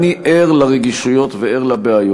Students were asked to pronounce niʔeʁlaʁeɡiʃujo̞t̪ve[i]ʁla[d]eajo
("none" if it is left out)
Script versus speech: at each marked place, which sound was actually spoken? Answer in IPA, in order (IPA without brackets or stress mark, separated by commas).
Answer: e, b